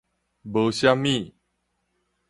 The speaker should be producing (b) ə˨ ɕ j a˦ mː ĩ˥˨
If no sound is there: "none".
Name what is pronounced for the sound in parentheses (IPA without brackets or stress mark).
b